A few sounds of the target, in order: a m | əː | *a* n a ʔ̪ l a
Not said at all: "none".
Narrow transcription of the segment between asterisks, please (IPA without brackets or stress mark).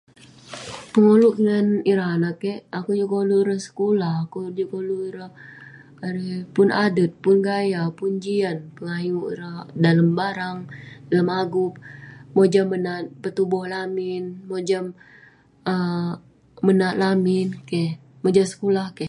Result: ə